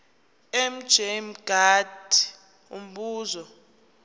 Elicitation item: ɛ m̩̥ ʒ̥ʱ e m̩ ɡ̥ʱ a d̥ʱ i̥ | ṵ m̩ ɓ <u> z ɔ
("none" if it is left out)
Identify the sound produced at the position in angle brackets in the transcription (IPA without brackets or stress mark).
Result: uː